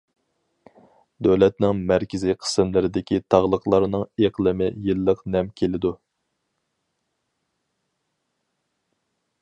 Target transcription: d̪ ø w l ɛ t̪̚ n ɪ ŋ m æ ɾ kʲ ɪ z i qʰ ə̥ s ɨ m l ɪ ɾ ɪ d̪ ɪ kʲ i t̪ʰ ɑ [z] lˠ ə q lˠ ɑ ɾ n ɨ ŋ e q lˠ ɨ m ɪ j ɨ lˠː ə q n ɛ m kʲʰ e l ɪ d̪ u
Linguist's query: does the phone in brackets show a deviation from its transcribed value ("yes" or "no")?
yes